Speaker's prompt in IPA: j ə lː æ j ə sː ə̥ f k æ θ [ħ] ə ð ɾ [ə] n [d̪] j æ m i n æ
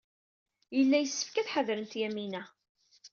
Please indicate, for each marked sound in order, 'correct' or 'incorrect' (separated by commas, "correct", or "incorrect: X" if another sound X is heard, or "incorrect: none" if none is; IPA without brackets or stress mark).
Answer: correct, correct, incorrect: t̪